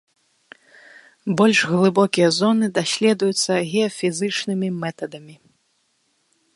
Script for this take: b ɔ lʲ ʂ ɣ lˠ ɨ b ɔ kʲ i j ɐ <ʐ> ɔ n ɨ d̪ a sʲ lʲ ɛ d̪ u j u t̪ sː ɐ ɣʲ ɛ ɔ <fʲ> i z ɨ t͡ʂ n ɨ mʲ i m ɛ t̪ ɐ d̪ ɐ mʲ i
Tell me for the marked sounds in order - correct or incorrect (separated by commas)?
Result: incorrect, correct